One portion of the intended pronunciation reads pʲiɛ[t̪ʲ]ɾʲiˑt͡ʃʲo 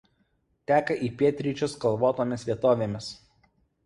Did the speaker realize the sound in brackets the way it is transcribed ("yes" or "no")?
yes